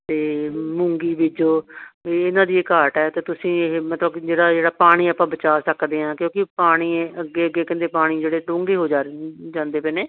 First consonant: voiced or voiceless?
voiceless